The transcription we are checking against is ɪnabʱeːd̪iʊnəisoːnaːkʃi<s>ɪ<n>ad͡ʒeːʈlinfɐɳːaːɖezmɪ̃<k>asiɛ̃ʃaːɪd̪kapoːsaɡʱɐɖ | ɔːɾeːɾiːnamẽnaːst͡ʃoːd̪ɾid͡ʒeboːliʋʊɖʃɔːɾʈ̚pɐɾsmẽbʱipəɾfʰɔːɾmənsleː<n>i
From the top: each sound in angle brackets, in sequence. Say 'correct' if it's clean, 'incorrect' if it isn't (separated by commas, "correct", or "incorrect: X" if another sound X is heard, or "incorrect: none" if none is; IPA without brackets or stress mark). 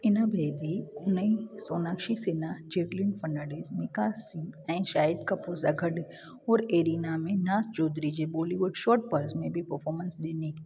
correct, correct, correct, correct